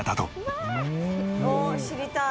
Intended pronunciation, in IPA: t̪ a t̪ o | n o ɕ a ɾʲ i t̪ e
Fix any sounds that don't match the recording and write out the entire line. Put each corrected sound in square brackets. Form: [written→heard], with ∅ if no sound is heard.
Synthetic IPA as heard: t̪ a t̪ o | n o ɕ [a→i] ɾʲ i t̪ [e→a]

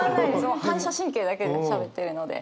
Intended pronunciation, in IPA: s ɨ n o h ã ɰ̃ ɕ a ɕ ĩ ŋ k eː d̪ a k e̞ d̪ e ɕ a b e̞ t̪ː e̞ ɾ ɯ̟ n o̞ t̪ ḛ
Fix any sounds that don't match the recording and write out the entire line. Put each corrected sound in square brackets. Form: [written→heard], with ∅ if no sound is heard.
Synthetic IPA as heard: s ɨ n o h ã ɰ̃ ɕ a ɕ ĩ ŋ k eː d̪ a k e̞ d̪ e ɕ a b e̞ t̪ː e̞ ɾ ɯ̟ n o̞ [t̪→d̪] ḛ

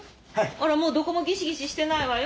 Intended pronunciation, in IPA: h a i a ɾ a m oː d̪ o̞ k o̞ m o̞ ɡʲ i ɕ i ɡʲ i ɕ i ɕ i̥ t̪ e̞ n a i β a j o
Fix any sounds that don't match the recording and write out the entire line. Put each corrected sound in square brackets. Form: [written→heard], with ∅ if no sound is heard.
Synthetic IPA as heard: h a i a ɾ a m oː d̪ o̞ k o̞ m o̞ ɡʲ i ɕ i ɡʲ i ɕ i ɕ i̥ t̪ e̞ n a i β a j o

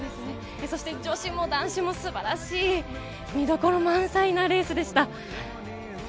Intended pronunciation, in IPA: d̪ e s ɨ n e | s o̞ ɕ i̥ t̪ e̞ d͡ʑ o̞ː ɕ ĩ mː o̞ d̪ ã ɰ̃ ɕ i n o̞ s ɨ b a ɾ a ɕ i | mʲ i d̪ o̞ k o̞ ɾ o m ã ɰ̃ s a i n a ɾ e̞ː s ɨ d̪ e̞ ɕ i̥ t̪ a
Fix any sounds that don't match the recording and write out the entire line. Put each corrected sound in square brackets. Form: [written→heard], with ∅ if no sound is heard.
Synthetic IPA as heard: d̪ e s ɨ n e | s o̞ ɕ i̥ t̪ e̞ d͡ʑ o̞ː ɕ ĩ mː o̞ d̪ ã ɰ̃ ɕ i [n→m] o̞ s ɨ b a ɾ a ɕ [i→iː] | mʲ i d̪ o̞ k o̞ ɾ o m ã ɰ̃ s a i n a ɾ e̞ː s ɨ d̪ e̞ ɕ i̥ t̪ a

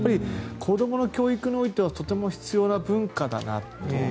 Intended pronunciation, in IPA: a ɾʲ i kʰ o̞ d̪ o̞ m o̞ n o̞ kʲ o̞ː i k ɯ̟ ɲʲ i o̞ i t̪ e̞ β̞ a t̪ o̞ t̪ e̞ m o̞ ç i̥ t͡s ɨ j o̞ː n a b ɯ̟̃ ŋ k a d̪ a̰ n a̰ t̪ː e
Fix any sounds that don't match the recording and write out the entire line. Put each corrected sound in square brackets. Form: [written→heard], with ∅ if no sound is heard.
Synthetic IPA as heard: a ɾʲ i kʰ o̞ d̪ o̞ m o̞ n o̞ kʲ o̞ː i k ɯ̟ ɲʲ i o̞ i t̪ e̞ β̞ a t̪ o̞ t̪ e̞ m o̞ ç i̥ t͡s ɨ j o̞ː n a b ɯ̟̃ ŋ k a d̪ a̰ n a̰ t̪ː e

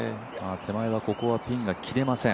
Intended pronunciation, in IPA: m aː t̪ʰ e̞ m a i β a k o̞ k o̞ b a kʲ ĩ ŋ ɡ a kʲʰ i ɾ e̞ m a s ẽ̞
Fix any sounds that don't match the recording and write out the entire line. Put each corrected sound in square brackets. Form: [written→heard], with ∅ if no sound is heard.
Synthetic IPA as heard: m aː t̪ʰ e̞ m a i β a k o̞ k o̞ [b→β] a [kʲ→pʲ] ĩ ŋ ɡ a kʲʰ i ɾ e̞ m a s ẽ̞

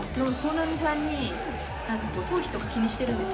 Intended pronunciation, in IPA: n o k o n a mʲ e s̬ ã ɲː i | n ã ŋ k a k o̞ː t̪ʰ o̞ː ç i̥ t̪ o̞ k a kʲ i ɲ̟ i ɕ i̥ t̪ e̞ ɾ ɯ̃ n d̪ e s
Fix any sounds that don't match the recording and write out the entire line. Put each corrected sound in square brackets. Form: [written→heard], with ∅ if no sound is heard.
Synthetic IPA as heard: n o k o n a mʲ [e→i] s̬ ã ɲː i | n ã ŋ k a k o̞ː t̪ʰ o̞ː ç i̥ t̪ o̞ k a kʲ i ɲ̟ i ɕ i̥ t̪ e̞ ɾ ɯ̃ n d̪ e s

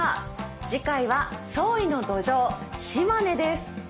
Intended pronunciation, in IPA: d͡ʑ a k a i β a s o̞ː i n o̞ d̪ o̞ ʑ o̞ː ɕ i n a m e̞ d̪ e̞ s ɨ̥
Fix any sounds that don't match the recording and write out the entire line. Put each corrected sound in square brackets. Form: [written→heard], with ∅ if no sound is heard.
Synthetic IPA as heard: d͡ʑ [a→i] k a i β a s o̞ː i n o̞ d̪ o̞ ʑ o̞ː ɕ i [n→m] a [m→n] e̞ d̪ e̞ s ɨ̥

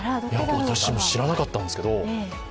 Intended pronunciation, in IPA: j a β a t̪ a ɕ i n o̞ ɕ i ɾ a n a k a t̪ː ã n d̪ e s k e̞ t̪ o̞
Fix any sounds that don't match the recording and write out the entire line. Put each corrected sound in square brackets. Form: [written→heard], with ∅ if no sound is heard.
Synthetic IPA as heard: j a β a t̪ a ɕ i [n→m] o̞ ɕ i ɾ a n a k a t̪ː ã n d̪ e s k e̞ [t̪→d̪] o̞

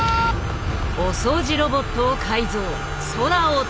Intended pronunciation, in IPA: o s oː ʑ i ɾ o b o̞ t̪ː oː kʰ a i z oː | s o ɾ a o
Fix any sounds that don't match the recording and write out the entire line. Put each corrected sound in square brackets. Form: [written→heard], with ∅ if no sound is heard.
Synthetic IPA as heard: o s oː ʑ i ɾ o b o̞ t̪ː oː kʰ a i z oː | s o ɾ a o

